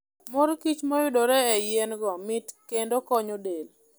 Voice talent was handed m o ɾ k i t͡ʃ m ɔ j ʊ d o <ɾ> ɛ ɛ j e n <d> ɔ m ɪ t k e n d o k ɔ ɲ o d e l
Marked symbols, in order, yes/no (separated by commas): yes, no